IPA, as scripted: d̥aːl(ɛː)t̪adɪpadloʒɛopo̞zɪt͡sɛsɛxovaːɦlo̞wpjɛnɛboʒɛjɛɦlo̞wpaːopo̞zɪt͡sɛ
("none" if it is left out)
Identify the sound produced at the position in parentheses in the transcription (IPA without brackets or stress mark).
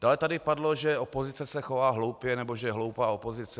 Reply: ɛ